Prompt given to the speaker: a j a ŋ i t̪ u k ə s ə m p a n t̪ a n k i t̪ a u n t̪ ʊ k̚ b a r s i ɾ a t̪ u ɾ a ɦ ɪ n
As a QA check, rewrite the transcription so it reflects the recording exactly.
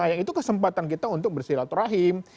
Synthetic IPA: a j a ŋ i t̪ u k ə s ə m p a t̪ a n k i t̪ a u n t̪ ʊ k̚ b ə r s i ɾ a t̪ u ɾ a ɦ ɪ m